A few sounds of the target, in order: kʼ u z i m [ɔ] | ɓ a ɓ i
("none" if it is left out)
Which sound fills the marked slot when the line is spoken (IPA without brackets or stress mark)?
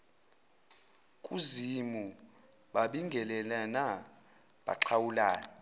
u